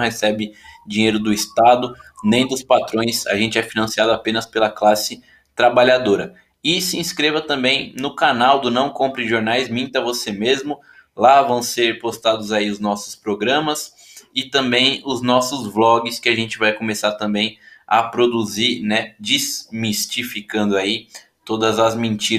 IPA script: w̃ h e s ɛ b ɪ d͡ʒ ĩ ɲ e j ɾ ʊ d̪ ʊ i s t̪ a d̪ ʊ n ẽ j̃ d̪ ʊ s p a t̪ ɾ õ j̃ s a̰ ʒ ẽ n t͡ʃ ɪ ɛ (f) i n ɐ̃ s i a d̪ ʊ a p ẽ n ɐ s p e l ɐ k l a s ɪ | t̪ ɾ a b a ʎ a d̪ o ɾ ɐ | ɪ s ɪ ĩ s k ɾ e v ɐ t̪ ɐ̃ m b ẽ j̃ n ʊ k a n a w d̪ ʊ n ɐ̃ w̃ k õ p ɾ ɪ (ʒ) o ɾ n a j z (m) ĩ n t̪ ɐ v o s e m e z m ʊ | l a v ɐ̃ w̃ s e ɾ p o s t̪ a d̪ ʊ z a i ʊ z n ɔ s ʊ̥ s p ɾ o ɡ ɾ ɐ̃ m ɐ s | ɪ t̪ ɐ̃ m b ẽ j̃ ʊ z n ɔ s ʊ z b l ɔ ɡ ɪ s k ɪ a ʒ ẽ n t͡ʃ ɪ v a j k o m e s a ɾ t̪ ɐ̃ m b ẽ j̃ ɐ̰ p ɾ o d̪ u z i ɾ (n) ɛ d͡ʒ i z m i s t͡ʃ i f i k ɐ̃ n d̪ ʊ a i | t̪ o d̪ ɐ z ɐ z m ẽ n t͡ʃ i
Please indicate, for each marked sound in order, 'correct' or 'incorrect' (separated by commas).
correct, correct, correct, correct